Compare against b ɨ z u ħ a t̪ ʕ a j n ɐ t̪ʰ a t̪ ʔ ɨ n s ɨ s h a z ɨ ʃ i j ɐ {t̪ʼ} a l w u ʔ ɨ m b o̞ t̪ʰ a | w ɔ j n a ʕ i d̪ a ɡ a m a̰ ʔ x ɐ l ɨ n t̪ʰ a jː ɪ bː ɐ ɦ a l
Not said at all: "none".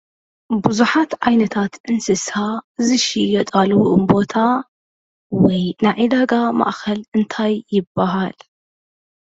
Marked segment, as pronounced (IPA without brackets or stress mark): t̪ʼ